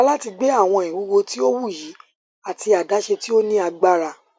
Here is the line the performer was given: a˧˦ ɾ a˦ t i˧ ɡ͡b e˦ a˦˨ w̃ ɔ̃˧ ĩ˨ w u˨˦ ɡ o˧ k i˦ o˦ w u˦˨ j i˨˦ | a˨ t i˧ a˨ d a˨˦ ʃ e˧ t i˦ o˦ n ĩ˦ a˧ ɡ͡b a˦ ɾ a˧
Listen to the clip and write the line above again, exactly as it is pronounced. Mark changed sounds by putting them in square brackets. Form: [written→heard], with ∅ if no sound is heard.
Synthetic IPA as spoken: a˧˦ [ɾ→l] a˦ t i˧ ɡ͡b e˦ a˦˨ w̃ ɔ̃˧ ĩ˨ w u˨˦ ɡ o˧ [k→t] i˦ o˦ w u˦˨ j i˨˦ | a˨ t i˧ a˨ d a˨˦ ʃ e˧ t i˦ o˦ n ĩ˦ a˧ ɡ͡b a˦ ɾ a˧